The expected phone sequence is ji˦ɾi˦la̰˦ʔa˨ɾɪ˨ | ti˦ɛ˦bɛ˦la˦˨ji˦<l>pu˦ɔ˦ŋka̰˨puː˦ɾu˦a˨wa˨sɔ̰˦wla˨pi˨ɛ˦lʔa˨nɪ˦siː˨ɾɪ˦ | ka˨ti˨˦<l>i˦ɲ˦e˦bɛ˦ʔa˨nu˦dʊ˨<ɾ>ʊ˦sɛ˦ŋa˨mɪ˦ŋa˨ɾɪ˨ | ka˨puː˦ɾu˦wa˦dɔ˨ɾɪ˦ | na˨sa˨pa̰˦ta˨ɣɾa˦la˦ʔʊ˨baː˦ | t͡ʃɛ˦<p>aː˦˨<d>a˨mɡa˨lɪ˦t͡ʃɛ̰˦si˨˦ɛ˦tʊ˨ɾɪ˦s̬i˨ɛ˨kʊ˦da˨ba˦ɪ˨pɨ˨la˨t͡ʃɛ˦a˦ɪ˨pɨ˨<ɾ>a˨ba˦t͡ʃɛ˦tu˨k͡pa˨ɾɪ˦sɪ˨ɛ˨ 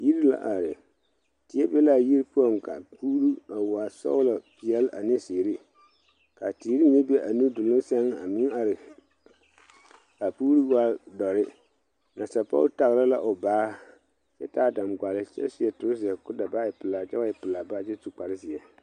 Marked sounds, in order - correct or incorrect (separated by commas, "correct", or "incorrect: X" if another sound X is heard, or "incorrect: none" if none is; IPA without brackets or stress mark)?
incorrect: ɾ, incorrect: ɾ, incorrect: l, incorrect: t, correct, incorrect: l